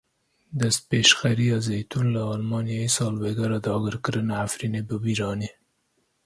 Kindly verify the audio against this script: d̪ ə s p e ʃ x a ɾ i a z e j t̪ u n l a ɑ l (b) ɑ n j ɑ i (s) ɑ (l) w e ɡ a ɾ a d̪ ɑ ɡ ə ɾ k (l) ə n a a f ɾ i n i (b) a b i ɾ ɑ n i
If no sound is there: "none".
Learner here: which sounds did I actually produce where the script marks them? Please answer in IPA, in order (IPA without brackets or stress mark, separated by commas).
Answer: m, s, l, ɾ, b